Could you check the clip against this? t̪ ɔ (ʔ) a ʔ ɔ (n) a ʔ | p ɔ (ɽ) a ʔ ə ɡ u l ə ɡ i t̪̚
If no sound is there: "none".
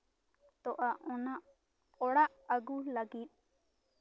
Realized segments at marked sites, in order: ʔ, n, ɽ

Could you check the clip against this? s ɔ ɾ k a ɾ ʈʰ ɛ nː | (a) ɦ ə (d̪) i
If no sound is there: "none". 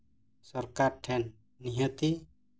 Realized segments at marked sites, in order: i, t̪

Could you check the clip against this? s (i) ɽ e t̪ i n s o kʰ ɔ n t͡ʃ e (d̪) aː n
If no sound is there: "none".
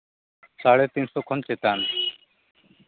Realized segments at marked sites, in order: a, t̪

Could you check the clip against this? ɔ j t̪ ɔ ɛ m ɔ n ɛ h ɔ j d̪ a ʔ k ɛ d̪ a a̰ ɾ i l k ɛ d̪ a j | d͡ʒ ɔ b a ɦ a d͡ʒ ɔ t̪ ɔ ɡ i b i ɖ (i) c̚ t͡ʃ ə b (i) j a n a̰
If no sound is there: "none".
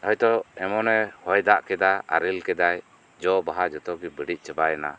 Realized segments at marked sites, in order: i, a

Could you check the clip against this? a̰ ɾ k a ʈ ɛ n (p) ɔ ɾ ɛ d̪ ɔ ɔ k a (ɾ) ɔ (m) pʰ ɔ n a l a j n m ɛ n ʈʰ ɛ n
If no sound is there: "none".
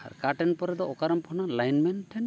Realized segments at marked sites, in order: p, ɾ, m

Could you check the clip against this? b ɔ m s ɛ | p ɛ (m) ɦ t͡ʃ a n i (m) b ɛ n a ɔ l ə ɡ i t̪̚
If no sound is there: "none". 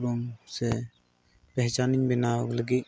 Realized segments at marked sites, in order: none, ɲ

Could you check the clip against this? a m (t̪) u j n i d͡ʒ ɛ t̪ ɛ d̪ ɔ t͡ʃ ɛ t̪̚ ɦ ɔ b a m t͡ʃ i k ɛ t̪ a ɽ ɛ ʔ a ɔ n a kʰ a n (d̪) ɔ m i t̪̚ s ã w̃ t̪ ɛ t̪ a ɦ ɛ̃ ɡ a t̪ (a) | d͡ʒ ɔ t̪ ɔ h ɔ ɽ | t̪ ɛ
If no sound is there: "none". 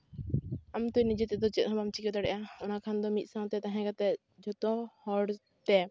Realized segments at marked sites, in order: t̪, d̪, ɛ

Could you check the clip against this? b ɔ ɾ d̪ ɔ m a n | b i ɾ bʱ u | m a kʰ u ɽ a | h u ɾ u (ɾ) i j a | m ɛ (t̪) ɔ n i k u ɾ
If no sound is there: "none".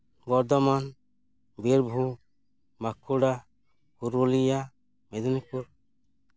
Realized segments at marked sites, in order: l, d̪

